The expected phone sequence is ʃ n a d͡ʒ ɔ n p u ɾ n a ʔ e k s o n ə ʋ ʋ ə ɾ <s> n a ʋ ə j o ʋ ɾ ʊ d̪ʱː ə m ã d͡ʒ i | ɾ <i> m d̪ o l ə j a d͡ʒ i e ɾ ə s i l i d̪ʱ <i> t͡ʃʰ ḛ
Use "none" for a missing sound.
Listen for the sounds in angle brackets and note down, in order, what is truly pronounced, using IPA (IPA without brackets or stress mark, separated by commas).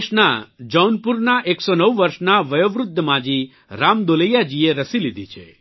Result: ʃ, a, i